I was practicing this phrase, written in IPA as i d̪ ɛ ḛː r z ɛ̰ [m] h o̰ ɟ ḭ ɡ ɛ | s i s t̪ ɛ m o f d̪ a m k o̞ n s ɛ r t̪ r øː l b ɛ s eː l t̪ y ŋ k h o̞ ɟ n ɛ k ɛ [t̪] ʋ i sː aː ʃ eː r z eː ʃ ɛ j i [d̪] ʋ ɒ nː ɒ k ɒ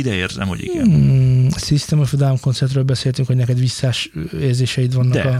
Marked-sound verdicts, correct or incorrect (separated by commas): correct, incorrect, incorrect